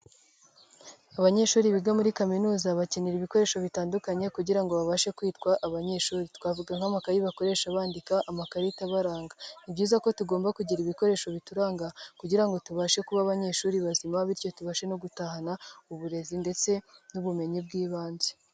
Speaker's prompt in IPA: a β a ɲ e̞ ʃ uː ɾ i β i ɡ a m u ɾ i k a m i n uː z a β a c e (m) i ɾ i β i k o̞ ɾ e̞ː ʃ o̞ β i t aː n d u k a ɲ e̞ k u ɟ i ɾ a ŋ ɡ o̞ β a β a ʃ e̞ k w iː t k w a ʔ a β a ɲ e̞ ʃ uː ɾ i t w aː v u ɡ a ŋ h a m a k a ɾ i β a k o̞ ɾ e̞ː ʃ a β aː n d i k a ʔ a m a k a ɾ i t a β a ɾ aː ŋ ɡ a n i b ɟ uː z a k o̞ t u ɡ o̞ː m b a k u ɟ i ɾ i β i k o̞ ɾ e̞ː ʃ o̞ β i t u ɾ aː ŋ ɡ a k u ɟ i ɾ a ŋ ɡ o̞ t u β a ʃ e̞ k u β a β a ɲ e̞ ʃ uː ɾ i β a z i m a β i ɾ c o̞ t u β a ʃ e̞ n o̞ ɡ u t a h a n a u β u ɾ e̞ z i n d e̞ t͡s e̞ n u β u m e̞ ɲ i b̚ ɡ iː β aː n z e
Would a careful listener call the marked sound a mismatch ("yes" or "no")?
yes